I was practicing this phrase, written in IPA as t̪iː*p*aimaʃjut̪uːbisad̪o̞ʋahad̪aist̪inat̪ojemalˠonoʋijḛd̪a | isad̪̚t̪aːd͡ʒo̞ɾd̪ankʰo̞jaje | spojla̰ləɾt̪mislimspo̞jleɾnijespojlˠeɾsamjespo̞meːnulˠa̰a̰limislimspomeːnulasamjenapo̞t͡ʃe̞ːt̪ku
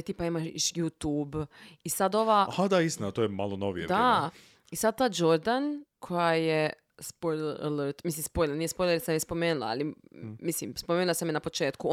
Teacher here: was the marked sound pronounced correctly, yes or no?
yes